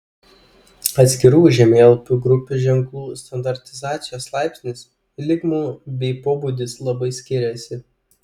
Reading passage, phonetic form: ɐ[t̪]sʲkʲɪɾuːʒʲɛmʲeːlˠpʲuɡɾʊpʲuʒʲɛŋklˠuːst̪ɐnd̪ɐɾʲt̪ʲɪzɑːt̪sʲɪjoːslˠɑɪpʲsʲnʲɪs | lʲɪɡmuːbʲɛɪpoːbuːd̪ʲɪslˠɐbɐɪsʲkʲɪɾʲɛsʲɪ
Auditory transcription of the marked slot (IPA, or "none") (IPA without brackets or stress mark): t̪